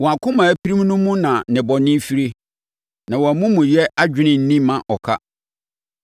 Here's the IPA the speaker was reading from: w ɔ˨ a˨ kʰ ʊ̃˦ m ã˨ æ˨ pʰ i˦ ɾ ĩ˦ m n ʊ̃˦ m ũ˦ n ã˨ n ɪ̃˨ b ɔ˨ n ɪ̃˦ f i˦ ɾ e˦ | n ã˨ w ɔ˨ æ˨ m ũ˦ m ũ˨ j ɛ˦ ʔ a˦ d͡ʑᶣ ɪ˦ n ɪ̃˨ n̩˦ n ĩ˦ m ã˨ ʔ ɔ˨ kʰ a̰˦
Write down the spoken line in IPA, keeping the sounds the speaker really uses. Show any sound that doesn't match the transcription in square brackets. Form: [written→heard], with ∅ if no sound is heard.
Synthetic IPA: w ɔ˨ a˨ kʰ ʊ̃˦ m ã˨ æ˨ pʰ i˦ ɾ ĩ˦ m n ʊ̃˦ m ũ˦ n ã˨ n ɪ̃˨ b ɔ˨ n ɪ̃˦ f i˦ ɾ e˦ | n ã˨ w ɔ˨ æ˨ m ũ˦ m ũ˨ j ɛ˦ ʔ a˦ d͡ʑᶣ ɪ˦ n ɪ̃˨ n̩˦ n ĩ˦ m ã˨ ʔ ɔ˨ kʰ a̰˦